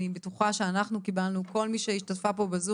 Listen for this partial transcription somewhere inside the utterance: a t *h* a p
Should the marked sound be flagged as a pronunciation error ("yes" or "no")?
yes